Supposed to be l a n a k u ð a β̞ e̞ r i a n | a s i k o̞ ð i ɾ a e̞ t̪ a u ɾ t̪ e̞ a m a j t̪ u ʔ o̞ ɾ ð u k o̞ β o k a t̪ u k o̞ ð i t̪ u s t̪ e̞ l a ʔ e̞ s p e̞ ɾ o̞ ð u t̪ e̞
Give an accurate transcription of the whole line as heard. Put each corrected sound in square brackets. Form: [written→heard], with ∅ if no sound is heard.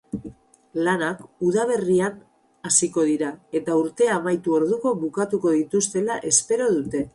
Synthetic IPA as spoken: l a n a k u ð a β̞ e̞ r i a n | a s i k o̞ ð i ɾ a e̞ t̪ a u ɾ t̪ e̞ a m a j t̪ u [ʔ→∅] o̞ ɾ ð u k o̞ β [o→u] k a t̪ u k o̞ ð i t̪ u s t̪ e̞ l a ʔ e̞ s p e̞ ɾ o̞ ð u t̪ e̞